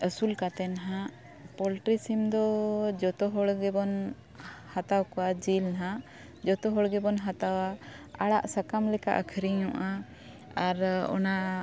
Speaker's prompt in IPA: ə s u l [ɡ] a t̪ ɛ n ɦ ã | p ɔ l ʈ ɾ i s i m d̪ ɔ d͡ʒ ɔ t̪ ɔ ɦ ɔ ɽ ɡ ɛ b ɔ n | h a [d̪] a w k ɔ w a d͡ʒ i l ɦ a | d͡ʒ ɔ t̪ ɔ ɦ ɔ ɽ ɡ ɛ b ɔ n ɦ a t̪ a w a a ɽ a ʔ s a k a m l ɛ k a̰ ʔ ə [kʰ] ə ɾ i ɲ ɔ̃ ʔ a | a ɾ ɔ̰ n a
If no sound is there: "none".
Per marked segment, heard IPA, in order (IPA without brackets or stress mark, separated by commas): k, t̪, kʰ